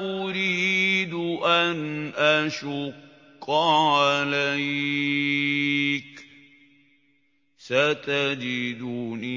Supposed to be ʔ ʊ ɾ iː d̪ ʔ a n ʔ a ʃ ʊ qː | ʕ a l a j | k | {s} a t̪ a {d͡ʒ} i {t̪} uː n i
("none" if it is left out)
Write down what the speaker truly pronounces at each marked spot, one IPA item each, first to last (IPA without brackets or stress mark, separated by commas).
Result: s, d͡ʒ, d̪